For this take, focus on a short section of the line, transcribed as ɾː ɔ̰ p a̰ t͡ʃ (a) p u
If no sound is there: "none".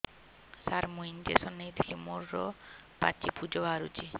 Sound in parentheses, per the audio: i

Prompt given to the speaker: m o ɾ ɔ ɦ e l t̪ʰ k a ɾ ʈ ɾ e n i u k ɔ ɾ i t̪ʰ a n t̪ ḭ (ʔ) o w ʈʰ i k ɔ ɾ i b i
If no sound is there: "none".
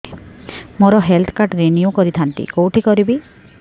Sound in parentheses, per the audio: k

